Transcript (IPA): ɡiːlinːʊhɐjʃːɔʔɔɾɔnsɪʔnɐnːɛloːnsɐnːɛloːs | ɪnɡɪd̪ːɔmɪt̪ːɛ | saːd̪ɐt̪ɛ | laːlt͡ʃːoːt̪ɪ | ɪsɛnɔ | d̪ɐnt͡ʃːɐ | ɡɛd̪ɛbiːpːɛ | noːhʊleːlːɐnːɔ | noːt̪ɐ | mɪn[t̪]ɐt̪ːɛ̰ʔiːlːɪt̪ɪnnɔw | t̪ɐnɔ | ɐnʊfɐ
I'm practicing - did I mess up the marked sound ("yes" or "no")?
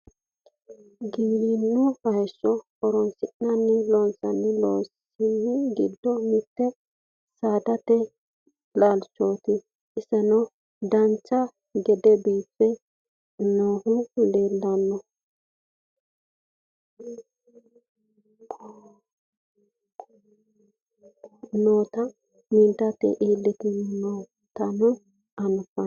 no